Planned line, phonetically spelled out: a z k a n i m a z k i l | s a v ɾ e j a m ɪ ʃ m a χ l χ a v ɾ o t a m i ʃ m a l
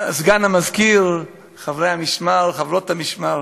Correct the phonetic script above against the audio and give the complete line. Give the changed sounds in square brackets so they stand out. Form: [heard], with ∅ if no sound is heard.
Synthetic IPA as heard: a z [ɡ] a n [a] m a z k i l | [χ] a v ɾ e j a m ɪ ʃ m a [∅] l χ a v ɾ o t a m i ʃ m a l